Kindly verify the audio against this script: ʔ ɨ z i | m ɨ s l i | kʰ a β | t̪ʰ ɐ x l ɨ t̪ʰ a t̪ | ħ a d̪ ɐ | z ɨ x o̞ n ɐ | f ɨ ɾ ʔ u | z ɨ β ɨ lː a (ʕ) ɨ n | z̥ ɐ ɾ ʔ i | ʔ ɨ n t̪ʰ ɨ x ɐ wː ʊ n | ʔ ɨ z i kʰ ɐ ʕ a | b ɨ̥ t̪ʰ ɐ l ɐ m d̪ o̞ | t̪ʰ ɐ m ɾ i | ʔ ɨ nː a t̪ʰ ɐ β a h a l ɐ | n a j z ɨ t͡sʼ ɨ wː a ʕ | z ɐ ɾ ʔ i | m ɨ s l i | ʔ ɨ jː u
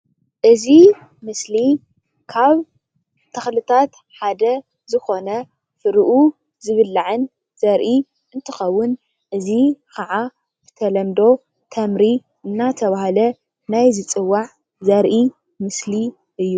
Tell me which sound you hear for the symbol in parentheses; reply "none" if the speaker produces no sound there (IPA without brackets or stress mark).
ʕ